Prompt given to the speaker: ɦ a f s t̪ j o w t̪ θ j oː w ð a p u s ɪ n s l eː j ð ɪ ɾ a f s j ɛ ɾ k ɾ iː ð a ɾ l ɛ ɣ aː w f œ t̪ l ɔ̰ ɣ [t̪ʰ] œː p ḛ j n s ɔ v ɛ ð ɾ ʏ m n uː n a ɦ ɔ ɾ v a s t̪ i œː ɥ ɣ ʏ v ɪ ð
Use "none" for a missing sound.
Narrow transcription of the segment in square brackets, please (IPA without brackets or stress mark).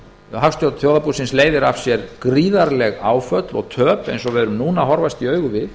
t̪ʰ